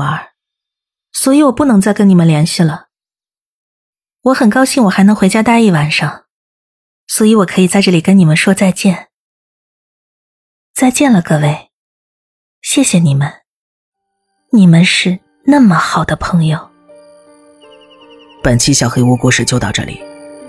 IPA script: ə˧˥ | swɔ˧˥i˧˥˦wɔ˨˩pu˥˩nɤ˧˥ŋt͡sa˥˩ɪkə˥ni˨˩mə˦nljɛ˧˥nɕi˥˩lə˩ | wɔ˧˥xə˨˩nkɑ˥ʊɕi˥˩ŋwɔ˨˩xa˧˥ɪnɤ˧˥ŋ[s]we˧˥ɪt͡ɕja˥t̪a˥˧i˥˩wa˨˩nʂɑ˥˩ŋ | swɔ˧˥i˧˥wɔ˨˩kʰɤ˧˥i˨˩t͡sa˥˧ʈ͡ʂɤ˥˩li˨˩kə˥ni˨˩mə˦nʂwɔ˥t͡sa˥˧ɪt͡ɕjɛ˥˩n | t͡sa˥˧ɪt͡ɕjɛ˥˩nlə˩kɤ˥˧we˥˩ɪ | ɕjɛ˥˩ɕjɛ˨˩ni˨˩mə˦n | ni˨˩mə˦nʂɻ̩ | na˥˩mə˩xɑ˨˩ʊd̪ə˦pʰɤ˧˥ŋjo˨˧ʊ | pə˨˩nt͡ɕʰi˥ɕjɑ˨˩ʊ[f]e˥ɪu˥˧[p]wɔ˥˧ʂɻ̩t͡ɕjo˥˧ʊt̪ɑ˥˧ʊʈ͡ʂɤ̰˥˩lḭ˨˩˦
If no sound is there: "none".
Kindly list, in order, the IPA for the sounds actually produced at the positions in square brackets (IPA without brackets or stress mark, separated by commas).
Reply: x, x, k